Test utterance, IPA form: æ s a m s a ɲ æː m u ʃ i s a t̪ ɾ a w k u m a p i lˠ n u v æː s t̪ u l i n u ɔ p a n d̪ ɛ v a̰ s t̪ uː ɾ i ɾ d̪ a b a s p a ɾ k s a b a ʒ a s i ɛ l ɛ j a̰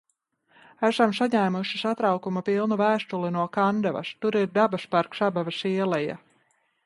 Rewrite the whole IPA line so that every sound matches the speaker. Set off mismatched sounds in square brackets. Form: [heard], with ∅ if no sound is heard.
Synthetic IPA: æ s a m s a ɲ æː m u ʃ i s a t̪ ɾ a w k u m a p i lˠ n u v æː s t̪ u l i n u ɔ [k] a n d̪ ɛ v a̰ s t̪ [u] ɾ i ɾ d̪ a b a s p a ɾ k s a b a [v] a s i ɛ l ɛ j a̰